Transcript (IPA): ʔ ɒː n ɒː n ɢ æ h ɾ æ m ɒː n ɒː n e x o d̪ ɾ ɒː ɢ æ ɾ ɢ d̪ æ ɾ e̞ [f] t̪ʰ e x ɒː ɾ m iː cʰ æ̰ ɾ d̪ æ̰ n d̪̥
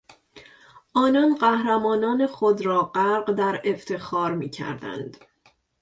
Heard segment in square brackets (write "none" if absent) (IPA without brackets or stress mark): f